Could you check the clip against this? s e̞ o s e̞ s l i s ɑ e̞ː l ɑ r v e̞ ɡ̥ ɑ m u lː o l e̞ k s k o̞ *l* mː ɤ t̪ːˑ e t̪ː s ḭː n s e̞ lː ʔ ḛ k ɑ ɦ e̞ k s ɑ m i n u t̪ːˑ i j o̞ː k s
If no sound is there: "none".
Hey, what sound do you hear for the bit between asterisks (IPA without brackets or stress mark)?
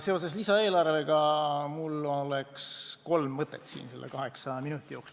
l